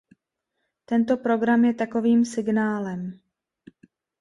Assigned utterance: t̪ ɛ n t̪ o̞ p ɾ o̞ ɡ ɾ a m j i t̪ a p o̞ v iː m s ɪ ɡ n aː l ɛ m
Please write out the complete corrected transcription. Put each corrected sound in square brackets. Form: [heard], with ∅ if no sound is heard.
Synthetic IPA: t̪ ɛ n t̪ o̞ p ɾ o̞ ɡ ɾ a m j [ɛ] t̪ a [k] o̞ v iː m s ɪ ɡ n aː l ɛ m